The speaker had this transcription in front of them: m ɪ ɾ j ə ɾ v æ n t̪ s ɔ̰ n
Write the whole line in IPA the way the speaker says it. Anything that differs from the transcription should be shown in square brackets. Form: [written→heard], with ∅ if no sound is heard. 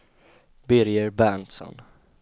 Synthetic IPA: [m→b] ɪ ɾ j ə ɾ [v→b] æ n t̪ s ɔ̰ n